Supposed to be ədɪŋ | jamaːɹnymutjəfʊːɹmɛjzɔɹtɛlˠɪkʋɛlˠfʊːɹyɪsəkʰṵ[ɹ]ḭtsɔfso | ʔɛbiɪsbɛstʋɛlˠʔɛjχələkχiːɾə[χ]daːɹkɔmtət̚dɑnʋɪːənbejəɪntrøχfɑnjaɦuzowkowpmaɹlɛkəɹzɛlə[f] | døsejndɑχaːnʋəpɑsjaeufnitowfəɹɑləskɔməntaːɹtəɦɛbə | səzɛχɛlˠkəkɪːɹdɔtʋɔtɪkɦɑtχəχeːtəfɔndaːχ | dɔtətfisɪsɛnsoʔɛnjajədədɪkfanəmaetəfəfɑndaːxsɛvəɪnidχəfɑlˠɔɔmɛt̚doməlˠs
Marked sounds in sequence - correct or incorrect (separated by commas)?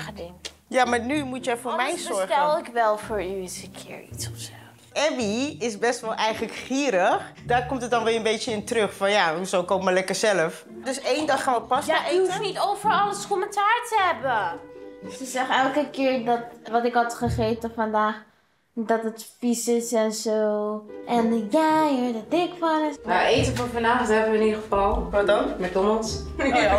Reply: correct, correct, correct